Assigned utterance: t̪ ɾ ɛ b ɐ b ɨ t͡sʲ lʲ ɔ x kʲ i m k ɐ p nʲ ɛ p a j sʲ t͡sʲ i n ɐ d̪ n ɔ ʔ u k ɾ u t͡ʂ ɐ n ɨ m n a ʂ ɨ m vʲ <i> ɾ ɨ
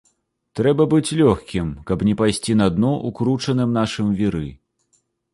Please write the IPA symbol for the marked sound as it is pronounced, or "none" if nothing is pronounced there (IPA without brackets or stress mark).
i